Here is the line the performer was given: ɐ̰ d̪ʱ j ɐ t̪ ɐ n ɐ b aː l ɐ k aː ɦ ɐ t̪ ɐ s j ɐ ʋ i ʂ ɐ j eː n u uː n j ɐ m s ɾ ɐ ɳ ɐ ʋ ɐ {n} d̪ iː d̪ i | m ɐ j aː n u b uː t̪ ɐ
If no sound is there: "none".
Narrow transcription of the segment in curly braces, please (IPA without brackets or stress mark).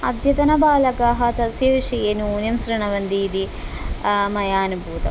n